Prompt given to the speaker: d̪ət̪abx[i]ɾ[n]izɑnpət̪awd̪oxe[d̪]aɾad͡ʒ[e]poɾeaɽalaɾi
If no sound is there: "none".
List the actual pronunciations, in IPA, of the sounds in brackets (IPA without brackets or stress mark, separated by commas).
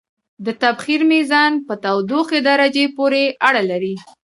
i, m, d̪, e